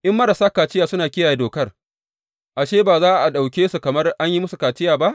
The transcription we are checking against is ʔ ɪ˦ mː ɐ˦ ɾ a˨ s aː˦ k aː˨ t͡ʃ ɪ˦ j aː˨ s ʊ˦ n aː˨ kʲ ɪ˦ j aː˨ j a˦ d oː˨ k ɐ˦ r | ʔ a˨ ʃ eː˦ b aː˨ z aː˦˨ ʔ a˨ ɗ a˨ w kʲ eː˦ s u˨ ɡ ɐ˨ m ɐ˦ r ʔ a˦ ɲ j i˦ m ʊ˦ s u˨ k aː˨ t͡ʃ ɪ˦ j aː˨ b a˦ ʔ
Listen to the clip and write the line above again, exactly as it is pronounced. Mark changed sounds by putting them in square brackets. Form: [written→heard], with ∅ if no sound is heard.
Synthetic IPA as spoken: ʔ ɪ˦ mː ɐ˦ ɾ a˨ s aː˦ k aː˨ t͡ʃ ɪ˦ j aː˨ s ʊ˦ n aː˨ kʲ ɪ˦ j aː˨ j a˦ d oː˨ k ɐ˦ r | ʔ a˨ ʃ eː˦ b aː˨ z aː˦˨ ʔ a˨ ɗ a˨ w kʲ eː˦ s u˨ [ɡ→k] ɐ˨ m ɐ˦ r ʔ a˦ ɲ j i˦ m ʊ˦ s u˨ k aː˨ t͡ʃ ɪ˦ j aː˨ b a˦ ʔ